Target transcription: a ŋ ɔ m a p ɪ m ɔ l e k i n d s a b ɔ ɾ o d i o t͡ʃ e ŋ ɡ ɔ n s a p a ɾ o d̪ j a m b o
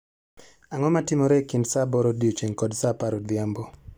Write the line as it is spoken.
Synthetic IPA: a ŋ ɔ m a t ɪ m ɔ ɾ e k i n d s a b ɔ ɾ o d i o t͡ʃ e ŋ k ɔ d s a p a ɾ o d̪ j a m b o